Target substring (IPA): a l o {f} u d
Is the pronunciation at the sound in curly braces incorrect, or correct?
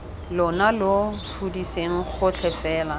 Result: correct